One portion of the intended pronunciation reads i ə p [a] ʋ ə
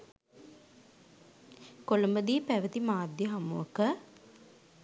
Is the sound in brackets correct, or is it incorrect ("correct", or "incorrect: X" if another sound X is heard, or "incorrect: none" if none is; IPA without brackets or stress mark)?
incorrect: æ